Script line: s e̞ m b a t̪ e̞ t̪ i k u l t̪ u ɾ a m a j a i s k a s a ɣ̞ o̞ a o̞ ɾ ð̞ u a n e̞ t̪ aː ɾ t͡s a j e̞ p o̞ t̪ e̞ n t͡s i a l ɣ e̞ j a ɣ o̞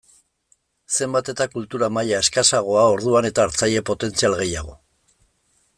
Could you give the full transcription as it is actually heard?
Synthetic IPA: s e̞ m b a t̪ e̞ t̪ a k u l t̪ u ɾ a m a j a e s k a s a ɣ̞ o̞ a o̞ ɾ ð̞ u a n e̞ t̪ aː ɾ t͡s a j e̞ p o̞ t̪ e̞ n t͡s i a l ɣ e̞ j a ɣ o̞